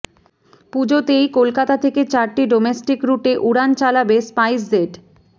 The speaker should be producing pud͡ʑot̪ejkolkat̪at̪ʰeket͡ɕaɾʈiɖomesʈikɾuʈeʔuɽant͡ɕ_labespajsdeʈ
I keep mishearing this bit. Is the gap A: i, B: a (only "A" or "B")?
B